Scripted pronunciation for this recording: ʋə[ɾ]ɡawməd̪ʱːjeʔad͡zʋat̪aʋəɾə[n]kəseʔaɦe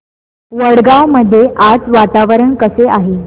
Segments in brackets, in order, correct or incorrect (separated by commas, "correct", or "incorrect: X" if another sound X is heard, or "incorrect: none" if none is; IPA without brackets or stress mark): incorrect: ɽ, incorrect: ɳ